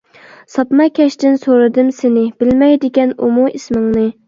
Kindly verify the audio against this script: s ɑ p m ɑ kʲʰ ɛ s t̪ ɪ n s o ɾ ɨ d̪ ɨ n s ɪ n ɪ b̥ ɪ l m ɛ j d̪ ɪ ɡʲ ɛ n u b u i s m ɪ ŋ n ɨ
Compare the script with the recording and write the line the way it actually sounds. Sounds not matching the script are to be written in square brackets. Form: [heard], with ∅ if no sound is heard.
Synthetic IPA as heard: s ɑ p m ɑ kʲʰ ɛ [ʃ] t̪ ɪ n s o ɾ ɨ d̪ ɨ [m] s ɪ n ɪ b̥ ɪ l m ɛ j d̪ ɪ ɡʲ ɛ n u [m] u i s m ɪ ŋ n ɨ

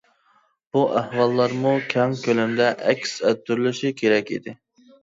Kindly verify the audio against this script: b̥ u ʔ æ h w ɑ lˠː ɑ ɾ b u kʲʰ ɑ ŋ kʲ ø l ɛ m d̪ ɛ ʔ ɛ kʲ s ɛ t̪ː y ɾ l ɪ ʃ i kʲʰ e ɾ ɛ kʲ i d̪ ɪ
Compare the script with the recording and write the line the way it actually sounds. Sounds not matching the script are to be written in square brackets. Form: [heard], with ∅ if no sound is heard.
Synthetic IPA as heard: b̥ u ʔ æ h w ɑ lˠː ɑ ɾ [m] u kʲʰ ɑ ŋ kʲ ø l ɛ m d̪ ɛ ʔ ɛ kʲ s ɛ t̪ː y ɾ l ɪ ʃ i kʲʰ e ɾ ɛ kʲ i d̪ ɪ

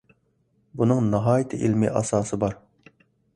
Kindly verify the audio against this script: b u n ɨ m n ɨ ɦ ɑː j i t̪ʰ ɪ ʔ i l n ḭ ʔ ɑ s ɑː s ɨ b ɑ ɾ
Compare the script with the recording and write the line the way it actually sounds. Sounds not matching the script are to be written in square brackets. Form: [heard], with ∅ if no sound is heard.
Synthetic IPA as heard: b u n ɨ [ŋ] n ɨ ɦ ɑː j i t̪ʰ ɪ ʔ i l [m] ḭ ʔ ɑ s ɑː s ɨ b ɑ ɾ

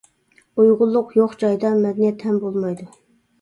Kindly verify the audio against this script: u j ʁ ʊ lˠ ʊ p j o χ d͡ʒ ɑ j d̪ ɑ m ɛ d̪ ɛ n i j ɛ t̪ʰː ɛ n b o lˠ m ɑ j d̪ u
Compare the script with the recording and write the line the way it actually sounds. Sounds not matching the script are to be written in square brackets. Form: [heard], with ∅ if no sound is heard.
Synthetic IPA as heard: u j ʁ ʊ [lˠː] ʊ [q] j o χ d͡ʒ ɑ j d̪ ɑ m ɛ d̪ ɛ n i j ɛ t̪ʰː ɛ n b o lˠ m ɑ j d̪ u

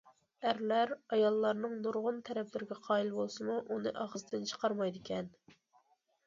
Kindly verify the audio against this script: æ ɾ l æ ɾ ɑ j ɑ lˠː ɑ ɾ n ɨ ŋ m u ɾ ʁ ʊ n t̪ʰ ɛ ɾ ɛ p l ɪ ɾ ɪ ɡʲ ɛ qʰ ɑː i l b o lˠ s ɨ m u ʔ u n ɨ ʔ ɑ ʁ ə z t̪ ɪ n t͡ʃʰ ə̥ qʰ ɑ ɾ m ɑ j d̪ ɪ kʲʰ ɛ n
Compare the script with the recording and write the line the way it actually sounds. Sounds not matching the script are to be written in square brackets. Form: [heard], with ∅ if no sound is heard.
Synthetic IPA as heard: æ ɾ l æ ɾ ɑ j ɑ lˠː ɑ ɾ n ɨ ŋ [n] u ɾ ʁ ʊ n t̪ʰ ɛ ɾ ɛ p l ɪ ɾ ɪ ɡʲ ɛ qʰ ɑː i l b o lˠ s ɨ m u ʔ u n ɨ ʔ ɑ ʁ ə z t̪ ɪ n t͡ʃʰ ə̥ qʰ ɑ ɾ m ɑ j d̪ ɪ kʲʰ ɛ n

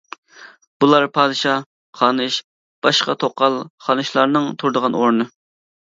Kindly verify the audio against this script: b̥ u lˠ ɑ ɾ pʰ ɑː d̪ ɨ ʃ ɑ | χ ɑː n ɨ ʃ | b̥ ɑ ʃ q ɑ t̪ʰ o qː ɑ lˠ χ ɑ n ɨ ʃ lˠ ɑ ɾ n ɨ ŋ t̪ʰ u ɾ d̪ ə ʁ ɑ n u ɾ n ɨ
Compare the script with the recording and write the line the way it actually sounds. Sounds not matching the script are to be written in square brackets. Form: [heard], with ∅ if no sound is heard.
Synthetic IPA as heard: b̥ u lˠ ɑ ɾ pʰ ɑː d̪ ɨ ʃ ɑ | χ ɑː n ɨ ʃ | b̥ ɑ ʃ q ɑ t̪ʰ o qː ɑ lˠ χ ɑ n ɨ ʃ lˠ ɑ ɾ n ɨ ŋ t̪ʰ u ɾ d̪ ə ʁ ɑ n [o] ɾ n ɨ

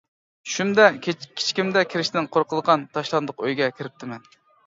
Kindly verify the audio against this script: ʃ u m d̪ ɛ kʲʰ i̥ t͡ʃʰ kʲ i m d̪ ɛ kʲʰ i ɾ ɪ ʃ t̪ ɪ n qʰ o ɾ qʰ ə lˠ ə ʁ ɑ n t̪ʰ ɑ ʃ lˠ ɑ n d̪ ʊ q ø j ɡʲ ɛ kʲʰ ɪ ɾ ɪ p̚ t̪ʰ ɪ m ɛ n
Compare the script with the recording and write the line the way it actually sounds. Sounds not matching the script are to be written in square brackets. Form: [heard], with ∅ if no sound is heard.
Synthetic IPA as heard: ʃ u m d̪ ɛ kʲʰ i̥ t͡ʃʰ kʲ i m d̪ ɛ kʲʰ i ɾ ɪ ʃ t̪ ɪ n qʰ o ɾ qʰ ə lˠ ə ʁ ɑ n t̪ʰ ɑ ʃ lˠ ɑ n d̪ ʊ q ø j ɡʲ ɛ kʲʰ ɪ ɾ ɪ p̚ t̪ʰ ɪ m ɛ n

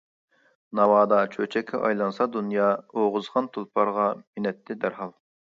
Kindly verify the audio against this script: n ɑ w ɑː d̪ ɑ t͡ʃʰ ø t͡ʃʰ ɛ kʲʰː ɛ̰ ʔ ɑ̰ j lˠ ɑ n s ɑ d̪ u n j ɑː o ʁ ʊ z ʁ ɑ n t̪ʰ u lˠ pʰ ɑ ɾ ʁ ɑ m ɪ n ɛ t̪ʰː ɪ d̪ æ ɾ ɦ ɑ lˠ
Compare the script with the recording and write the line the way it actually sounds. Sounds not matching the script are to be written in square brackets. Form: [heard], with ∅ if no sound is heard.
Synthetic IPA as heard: n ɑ w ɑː d̪ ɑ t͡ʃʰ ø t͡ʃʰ ɛ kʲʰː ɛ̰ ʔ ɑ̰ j lˠ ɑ n s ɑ d̪ u n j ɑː o ʁ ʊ z ʁ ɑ n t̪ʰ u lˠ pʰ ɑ ɾ ʁ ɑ m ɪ n ɛ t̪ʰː ɪ d̪ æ ɾ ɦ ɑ lˠ

